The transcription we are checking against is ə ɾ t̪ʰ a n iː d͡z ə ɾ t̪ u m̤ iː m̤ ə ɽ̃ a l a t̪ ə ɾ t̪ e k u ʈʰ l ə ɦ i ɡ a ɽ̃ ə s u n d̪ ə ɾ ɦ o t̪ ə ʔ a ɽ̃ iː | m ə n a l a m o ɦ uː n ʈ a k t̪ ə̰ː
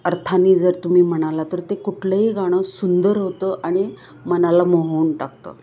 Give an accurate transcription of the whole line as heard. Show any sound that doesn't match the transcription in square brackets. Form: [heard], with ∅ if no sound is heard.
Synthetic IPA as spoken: ə ɾ t̪ʰ a n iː d͡z ə ɾ t̪ u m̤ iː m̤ ə ɽ̃ a l a t̪ ə ɾ t̪ e k u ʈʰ l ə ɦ i ɡ a ɽ̃ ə s u n d̪ ə ɾ ɦ o t̪ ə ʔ a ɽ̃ [i] | m ə n a l a m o ɦ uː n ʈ a k t̪ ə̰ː